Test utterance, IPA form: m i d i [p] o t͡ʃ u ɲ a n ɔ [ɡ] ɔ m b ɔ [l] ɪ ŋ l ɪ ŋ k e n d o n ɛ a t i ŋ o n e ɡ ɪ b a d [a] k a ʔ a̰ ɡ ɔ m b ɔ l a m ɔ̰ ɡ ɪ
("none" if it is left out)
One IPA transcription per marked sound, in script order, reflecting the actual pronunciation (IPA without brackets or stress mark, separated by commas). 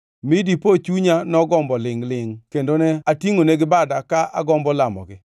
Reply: p, ɡ, l, a